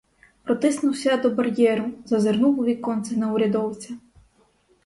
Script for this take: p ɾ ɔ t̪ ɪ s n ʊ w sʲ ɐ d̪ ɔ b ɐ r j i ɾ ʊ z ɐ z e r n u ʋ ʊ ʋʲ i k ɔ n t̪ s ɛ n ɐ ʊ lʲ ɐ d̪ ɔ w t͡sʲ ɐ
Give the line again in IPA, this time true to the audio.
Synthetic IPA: p ɾ ɔ t̪ ɪ s n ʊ w sʲ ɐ d̪ ɔ b ɐ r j ɛ ɾ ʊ z ɐ z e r n u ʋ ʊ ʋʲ i k ɔ n t̪ s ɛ n ɐ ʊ ɾʲ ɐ d̪ ɔ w t͡sʲ ɐ